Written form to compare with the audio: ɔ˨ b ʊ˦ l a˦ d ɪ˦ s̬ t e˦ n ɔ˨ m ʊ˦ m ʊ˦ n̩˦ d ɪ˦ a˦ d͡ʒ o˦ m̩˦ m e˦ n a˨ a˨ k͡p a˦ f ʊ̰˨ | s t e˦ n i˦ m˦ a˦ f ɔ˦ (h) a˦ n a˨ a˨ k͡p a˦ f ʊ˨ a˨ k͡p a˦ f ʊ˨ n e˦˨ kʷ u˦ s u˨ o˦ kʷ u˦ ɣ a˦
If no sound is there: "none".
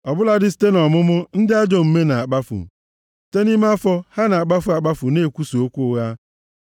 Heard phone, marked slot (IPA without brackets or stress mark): h